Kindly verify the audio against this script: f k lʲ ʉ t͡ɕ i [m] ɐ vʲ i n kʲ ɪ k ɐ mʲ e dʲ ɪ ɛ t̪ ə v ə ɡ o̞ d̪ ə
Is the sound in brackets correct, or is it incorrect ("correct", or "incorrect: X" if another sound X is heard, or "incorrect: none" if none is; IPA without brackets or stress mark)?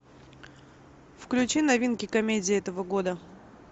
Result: incorrect: n